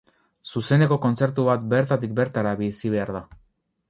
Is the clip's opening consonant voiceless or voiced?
voiceless